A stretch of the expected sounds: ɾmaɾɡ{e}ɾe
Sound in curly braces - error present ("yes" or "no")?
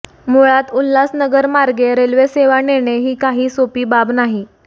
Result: no